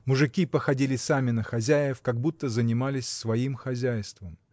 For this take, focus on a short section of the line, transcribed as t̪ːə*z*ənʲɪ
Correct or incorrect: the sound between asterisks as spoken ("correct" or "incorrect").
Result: correct